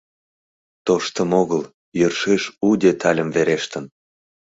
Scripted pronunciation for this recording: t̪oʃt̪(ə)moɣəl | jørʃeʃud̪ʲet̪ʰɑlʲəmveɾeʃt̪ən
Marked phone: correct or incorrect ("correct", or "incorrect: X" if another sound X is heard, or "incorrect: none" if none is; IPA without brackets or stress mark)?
correct